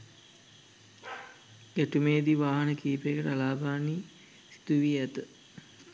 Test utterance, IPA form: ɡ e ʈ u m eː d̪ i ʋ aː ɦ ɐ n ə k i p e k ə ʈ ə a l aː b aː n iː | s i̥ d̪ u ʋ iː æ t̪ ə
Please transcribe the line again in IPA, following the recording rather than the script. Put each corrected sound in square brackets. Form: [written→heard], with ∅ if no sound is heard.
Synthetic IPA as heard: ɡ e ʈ u m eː d̪ i ʋ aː ɦ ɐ n ə k [i→iː] p e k ə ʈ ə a l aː b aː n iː | s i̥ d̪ u ʋ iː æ t̪ ə